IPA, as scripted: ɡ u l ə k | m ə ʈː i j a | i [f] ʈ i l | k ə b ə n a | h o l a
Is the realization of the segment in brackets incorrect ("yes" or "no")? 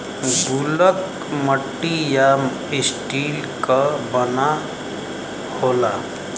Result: yes